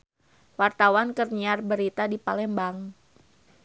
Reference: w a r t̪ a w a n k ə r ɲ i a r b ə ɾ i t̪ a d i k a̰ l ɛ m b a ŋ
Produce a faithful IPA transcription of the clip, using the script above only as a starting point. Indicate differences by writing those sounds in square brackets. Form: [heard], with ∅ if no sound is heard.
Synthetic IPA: w a r t̪ a w a n k ə r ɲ i a r b ə ɾ i t̪ a d i [p] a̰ l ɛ m b a ŋ